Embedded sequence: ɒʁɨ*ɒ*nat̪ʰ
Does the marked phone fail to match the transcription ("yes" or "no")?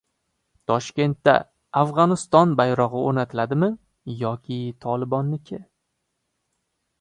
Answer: yes